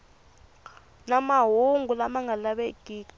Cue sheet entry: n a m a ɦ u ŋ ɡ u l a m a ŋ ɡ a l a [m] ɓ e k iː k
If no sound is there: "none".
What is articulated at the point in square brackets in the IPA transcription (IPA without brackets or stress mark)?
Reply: none